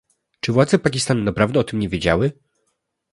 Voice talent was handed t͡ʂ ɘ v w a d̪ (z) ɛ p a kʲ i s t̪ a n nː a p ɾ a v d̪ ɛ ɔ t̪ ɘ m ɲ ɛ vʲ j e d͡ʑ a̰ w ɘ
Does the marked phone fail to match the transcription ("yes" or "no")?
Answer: no